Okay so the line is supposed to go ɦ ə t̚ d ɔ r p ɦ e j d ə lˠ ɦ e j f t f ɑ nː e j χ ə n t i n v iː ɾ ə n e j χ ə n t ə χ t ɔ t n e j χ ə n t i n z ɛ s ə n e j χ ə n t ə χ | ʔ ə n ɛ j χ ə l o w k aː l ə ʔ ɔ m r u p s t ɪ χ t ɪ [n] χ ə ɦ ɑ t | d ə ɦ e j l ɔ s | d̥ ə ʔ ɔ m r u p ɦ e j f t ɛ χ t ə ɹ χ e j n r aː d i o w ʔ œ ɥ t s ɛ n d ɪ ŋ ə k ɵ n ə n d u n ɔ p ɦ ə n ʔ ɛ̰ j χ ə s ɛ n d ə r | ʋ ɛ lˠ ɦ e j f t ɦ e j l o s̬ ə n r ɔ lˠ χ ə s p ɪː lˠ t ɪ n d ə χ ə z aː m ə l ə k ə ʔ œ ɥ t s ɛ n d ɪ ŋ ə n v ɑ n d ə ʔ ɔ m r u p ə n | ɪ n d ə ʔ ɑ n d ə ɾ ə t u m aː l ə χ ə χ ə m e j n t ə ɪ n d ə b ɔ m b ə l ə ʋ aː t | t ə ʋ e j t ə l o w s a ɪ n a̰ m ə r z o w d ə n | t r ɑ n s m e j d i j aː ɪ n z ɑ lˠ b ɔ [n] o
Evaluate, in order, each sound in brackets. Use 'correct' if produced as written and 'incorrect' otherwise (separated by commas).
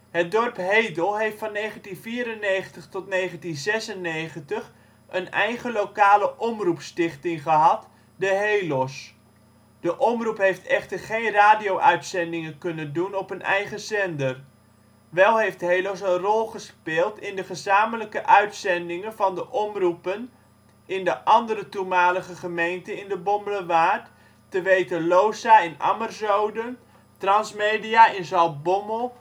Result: incorrect, incorrect